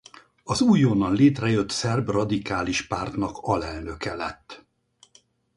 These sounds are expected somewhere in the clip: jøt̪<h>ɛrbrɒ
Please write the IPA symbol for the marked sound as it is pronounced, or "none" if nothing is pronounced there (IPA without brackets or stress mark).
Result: s